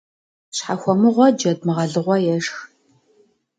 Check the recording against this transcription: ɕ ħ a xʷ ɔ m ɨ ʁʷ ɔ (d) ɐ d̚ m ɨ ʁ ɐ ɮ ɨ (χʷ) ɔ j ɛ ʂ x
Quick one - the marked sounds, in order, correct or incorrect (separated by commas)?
incorrect, incorrect